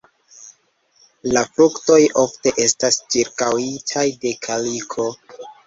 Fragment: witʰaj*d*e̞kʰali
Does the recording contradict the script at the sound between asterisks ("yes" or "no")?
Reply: no